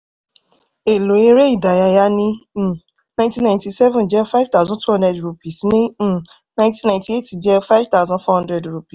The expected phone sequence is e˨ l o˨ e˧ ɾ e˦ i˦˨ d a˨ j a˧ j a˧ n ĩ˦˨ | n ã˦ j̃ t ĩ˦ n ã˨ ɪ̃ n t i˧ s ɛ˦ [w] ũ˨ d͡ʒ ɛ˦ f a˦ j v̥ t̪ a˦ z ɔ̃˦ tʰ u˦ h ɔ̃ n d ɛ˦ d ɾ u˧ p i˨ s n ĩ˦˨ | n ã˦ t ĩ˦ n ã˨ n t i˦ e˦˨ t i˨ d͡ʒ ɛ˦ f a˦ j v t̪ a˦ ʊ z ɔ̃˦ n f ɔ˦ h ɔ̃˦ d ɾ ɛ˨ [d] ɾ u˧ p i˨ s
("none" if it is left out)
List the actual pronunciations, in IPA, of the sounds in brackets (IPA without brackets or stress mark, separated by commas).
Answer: v, d